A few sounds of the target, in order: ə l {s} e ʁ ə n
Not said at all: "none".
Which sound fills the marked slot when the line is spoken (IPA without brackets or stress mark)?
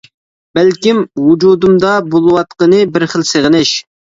s